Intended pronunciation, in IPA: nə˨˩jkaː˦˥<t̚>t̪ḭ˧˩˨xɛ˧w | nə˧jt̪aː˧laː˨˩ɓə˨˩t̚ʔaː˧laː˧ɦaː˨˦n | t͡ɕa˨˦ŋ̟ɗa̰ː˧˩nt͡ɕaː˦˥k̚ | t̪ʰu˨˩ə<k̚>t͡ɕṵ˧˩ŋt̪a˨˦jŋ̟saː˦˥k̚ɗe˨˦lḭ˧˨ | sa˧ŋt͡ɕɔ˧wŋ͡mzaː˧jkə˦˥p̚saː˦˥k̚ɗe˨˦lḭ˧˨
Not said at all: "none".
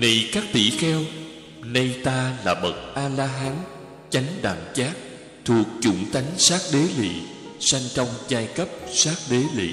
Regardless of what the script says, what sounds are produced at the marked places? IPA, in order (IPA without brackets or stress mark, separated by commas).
k̚, k̚